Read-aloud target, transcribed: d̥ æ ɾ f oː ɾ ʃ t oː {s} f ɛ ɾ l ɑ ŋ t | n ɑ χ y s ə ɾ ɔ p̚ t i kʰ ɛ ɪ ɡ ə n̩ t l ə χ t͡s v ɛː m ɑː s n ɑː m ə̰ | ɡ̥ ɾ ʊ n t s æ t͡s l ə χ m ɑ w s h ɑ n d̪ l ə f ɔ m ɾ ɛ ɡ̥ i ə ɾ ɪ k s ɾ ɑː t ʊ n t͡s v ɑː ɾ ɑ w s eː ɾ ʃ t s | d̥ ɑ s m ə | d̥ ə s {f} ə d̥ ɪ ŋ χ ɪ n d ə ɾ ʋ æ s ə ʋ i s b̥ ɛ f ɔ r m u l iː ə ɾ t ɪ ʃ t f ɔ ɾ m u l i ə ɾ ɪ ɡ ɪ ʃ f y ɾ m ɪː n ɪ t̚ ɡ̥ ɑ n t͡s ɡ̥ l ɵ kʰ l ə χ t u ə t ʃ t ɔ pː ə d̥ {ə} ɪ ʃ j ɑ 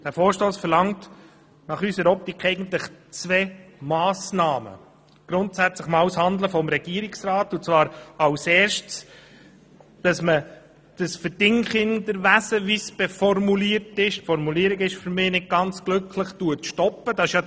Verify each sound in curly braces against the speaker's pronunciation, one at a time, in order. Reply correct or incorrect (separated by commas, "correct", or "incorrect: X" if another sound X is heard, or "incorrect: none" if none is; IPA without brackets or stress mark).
correct, correct, incorrect: ɑ